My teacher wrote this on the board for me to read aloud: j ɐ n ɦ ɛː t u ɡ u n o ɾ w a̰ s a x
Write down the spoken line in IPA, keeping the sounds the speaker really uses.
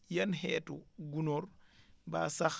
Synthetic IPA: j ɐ n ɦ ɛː t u ɡ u n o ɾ b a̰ s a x